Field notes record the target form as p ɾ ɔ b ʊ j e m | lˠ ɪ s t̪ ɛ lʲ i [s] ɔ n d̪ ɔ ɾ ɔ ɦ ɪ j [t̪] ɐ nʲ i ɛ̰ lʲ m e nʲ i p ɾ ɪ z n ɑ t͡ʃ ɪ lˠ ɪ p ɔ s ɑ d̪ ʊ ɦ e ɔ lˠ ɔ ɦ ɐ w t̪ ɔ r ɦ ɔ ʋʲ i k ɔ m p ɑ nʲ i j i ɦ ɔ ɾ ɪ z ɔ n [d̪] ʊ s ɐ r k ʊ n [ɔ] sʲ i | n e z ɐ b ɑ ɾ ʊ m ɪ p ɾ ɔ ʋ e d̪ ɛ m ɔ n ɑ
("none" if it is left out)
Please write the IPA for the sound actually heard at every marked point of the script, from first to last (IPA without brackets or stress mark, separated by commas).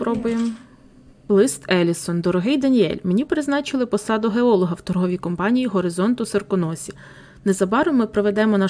s, d̪, t̪, ɔ